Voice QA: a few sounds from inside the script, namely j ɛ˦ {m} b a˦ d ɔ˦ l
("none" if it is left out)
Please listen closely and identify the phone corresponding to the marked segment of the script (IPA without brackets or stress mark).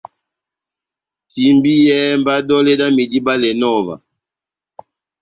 m